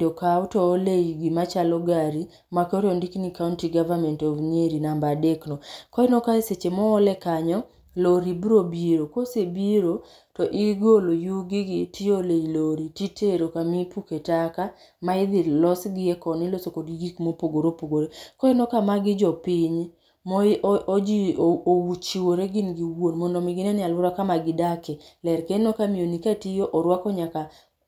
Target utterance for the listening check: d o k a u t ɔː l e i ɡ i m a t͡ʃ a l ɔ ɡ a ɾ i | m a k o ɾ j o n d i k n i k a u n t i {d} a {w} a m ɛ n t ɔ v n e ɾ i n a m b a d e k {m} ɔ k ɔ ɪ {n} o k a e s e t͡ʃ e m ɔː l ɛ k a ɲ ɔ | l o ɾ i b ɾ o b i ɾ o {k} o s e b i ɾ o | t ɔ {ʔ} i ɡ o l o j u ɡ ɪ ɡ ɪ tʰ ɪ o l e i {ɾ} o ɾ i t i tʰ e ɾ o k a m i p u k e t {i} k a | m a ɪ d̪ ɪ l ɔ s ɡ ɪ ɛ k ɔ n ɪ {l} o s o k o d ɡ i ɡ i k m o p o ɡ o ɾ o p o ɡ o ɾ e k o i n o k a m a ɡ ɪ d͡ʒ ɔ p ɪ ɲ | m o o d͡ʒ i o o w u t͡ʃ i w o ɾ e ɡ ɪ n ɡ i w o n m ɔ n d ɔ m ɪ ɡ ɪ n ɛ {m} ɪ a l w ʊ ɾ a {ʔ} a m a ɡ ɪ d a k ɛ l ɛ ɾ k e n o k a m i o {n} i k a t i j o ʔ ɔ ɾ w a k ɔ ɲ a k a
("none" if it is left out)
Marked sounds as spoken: ɡ, v, n, n, k, ʔ, l, a, l, n, k, n

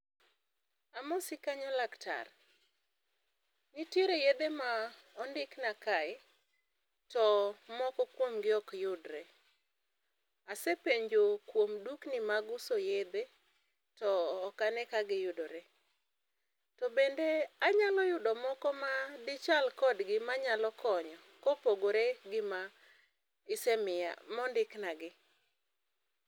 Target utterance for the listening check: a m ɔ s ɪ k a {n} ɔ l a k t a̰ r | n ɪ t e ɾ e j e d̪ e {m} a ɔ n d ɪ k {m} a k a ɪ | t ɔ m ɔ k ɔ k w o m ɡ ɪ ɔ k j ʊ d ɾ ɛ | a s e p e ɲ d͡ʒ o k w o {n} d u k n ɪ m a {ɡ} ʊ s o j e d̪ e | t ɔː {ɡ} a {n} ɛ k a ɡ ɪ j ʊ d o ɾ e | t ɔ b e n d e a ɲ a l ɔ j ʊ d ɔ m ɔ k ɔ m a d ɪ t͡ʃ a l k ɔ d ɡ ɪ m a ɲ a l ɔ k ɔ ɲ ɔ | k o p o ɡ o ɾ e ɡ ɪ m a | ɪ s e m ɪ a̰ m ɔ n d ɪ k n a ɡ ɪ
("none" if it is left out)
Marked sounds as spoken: ɲ, m, n, m, ɡ, k, n

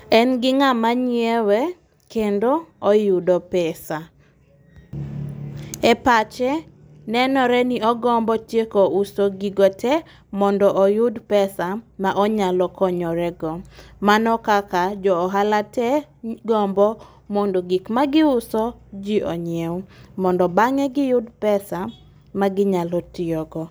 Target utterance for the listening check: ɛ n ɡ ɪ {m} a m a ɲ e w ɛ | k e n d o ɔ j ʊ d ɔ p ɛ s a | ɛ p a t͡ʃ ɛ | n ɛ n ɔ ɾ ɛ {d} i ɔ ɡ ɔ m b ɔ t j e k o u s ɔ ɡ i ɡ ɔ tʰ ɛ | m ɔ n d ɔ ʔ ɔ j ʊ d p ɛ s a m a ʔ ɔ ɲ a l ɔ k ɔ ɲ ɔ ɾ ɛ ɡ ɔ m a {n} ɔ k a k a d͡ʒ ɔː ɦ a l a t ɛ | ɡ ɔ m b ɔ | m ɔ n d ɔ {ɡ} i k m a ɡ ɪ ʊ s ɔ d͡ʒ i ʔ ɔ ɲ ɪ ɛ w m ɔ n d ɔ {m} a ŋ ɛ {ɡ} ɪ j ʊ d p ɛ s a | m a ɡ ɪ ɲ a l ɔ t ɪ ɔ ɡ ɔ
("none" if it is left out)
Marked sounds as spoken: ŋ, n, n, ɡ, b, ɡ

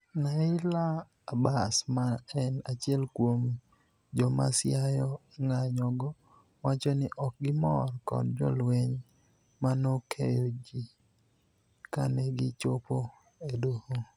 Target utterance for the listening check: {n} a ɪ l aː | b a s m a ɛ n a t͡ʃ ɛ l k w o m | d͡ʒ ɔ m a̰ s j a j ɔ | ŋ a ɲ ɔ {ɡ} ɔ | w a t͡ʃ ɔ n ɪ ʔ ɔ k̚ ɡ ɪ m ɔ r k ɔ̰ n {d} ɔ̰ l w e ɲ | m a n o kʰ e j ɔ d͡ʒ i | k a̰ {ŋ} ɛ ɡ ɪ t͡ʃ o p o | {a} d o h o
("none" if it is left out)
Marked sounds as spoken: n, ɡ, d͡ʒ, n, e

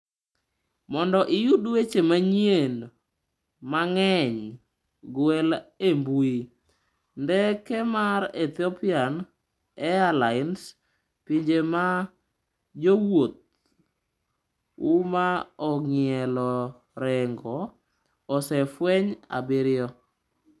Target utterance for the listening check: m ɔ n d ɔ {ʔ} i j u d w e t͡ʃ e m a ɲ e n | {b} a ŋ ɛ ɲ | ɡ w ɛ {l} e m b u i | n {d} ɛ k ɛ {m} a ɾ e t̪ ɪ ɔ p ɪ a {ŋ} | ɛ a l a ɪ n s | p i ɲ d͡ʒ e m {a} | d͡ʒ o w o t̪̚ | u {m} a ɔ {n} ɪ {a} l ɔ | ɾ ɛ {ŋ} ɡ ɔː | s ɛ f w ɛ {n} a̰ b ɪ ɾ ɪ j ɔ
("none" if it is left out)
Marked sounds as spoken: ʔ, m, l, d, m, n, a, m, ŋ, ɛ, ŋ, ɲ

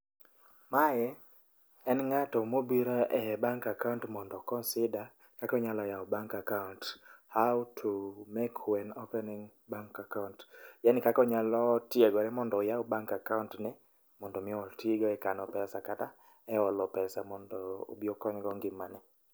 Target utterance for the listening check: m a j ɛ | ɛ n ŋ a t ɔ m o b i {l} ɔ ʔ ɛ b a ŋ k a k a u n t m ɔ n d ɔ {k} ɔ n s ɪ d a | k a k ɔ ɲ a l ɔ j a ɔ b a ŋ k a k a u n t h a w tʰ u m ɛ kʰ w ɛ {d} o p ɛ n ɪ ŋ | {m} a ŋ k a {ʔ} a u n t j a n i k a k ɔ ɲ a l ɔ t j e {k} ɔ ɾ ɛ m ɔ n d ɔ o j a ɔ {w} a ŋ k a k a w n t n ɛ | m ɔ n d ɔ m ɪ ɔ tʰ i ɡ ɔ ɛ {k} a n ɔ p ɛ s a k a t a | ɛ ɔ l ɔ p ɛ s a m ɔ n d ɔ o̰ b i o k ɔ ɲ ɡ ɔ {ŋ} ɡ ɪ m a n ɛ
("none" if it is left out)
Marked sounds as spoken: ɾ, k, n, b, k, ɡ, b, k, ŋ

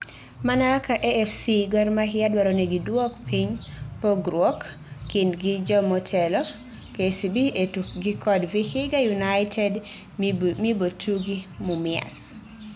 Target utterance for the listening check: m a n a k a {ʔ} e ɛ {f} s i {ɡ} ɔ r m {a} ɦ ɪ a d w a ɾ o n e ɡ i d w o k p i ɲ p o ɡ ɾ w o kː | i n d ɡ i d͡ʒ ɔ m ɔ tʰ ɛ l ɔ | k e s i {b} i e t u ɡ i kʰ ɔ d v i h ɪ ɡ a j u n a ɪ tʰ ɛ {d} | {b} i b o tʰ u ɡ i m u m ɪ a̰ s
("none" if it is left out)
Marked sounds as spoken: ʔ, f, ɡ, a, b, d, m

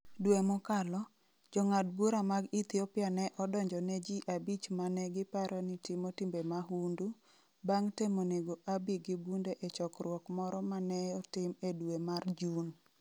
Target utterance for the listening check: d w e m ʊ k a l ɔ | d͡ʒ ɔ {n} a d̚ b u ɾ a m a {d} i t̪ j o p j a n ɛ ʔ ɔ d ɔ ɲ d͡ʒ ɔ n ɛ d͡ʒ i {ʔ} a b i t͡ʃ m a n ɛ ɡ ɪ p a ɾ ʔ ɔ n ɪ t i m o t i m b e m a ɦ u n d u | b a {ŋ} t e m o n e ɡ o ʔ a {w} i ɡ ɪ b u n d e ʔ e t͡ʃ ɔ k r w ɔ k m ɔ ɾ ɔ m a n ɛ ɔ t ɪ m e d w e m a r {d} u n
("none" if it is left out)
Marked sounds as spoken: ŋ, ɡ, ʔ, ŋ, b, d͡ʒ

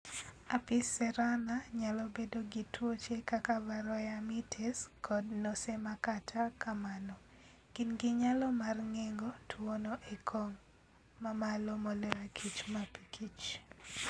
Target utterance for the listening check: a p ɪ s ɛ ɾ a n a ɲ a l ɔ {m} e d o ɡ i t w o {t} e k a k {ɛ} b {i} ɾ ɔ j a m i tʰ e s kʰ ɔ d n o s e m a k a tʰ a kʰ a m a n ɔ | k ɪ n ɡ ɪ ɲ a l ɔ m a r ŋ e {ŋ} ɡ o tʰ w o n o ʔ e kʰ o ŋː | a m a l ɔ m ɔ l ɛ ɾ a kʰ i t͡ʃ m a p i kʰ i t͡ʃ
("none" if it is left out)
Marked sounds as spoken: b, t͡ʃ, a, a, ŋ

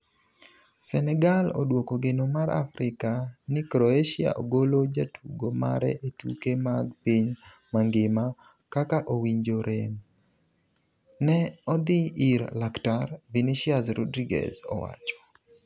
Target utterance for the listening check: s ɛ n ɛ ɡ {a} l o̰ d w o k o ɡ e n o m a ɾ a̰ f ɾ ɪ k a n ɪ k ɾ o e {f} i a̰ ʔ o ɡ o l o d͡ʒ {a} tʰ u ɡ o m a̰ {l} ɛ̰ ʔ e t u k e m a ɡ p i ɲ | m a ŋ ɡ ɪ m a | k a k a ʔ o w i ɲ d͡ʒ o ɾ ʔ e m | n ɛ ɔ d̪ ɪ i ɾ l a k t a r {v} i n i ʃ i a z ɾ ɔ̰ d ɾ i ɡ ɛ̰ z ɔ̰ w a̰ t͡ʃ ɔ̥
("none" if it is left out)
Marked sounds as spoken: a, ʃ, a, ɾ, v

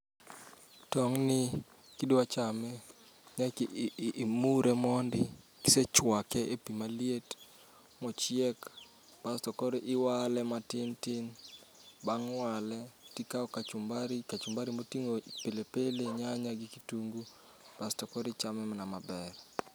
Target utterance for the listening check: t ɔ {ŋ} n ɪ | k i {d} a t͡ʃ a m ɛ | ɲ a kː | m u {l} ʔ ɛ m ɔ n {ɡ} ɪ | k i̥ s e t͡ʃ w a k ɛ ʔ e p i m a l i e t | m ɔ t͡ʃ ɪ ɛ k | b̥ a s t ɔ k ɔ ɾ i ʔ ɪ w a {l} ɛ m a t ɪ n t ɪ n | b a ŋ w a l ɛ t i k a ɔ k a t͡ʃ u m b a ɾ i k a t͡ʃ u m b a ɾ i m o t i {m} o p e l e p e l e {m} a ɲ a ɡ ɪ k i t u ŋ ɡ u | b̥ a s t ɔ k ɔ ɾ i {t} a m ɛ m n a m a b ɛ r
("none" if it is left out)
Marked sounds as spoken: ŋ, d, ɾ, d, l, ŋ, ɲ, t͡ʃ

